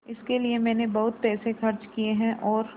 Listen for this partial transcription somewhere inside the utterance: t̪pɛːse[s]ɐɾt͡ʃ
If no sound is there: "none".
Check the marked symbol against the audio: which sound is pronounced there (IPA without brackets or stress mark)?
x